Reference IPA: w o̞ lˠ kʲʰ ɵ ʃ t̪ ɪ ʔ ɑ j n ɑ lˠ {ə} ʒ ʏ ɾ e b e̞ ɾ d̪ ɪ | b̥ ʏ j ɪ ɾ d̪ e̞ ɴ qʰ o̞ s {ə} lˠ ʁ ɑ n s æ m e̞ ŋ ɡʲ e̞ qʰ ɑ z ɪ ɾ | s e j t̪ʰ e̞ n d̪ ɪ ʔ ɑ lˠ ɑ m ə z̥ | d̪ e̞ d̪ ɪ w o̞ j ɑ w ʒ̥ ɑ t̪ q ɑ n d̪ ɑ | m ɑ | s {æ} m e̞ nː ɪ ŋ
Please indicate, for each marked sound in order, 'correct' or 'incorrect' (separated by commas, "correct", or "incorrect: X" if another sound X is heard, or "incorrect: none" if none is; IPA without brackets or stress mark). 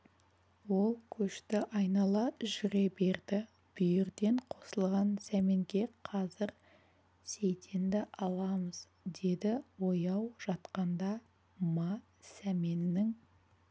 incorrect: ɑ, correct, correct